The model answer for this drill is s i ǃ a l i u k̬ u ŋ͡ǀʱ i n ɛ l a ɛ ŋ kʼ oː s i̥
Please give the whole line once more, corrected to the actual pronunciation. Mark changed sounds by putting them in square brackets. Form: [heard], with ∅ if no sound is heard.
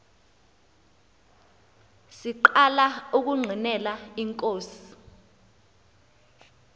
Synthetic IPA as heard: s i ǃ a l [a] u k̬ u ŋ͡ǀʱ i n ɛ l a [i] ŋ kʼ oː s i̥